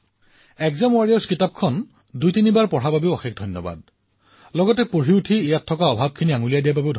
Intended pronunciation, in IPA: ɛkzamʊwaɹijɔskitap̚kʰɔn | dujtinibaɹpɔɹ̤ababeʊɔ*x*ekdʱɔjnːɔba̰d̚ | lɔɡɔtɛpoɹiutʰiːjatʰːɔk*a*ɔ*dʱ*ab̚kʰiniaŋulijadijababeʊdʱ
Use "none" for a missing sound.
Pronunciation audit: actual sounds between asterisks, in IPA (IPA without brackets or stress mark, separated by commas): x, a, bʱ